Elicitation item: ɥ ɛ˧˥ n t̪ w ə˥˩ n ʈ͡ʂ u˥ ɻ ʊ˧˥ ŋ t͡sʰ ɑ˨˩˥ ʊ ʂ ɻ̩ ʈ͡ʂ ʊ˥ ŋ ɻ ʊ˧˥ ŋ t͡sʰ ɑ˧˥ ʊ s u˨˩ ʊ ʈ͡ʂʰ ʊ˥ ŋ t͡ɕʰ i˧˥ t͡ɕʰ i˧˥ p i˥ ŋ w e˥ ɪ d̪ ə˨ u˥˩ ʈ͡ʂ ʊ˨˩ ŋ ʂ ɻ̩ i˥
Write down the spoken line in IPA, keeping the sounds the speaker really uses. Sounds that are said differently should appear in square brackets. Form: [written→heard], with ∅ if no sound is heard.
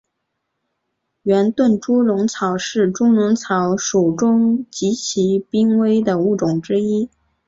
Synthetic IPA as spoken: ɥ ɛ˧˥ n t̪ w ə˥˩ n ʈ͡ʂ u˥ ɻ ʊ˧˥ ŋ t͡sʰ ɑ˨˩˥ ʊ ʂ ɻ̩ ʈ͡ʂ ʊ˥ ŋ ɻ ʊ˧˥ ŋ t͡sʰ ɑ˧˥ ʊ [s→ʂ] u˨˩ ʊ [ʈ͡ʂʰ→ʈ͡ʂ] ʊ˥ ŋ [t͡ɕʰ→t͡ɕ] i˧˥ t͡ɕʰ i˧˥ p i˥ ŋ w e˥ ɪ d̪ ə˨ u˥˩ ʈ͡ʂ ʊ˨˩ ŋ [ʂ→ʈ͡ʂ] ɻ̩ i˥